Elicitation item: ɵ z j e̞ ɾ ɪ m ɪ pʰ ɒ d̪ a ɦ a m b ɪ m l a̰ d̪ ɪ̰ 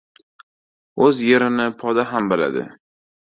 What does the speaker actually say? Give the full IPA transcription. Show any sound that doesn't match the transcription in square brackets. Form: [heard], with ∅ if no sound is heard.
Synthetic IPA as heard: ɵ z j e̞ ɾ ɪ [n] ɪ pʰ ɒ d̪ a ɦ a m b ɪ [∅] l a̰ d̪ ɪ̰